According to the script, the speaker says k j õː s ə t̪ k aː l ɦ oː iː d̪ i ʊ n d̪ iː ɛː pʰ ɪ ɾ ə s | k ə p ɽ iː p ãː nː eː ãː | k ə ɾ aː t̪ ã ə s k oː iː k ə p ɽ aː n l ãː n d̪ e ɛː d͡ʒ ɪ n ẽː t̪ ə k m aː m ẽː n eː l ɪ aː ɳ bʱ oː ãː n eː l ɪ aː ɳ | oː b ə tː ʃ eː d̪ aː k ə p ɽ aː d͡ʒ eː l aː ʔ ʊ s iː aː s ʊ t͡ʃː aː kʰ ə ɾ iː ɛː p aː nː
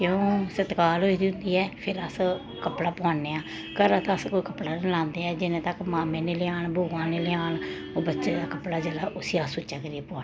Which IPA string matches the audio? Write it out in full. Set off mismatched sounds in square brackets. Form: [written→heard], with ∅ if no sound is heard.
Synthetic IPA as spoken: k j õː s ə t̪ k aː l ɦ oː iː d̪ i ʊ n d̪ iː ɛː pʰ ɪ ɾ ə s | k ə p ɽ [iː→aː] p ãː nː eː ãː | k ə ɾ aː t̪ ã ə s k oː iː k ə p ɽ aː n l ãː n d̪ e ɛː d͡ʒ ɪ n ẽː t̪ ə k m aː m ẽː n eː l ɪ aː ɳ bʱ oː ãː n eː l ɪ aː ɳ | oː b ə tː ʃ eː d̪ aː k ə p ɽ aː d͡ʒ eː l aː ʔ ʊ s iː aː s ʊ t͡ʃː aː [kʰ→k] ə ɾ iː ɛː p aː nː